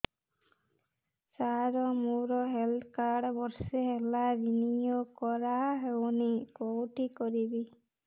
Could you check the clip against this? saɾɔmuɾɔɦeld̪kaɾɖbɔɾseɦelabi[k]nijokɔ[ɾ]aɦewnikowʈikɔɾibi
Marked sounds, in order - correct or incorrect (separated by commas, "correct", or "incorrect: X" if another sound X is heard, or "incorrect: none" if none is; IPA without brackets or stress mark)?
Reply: incorrect: none, correct